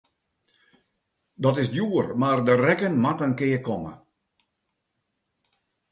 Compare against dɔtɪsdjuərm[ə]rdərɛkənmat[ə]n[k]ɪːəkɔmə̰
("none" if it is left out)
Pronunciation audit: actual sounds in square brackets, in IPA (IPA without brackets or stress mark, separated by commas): a, ə, k